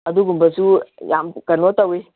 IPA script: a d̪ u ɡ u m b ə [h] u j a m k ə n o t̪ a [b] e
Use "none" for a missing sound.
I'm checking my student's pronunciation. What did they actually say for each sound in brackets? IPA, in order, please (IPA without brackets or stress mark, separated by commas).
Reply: s, w